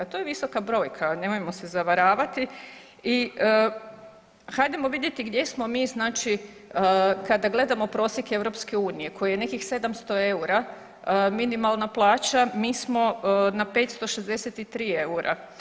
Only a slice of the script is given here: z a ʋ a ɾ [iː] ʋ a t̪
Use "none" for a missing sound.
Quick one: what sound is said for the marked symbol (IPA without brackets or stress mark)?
aː